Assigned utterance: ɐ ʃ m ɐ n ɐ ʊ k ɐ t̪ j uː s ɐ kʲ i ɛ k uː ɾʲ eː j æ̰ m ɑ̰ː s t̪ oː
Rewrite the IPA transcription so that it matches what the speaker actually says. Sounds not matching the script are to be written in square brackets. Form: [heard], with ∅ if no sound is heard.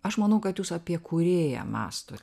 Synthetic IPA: ɐ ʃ m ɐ n ɐ ʊ k ɐ t̪ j uː s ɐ [pʲ] i ɛ k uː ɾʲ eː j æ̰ m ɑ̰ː s t̪ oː